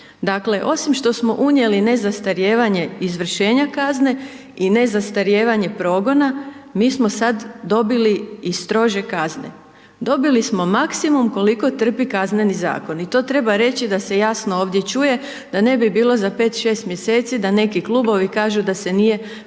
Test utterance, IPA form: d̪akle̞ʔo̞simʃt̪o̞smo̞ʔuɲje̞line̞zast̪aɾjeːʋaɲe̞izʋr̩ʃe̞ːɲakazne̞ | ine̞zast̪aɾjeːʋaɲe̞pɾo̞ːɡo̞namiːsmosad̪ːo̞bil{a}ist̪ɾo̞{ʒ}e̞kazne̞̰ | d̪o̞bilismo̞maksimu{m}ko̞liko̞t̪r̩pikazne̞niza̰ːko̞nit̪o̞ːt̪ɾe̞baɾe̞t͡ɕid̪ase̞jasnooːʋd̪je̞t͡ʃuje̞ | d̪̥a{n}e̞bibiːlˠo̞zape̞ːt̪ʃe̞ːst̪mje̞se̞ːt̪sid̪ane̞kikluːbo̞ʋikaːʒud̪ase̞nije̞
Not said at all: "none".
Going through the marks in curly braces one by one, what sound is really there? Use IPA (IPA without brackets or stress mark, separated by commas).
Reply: i, ʒ, m, n